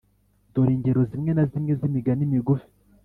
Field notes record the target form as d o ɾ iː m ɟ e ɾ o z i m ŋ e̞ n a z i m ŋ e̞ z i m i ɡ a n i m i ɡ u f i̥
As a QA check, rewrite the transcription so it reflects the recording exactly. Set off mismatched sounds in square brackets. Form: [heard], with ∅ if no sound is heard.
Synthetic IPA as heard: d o ɾ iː [ɲ] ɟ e ɾ o z i m ŋ e̞ n a z i m ŋ e̞ z i m i ɡ a n i m i ɡ u f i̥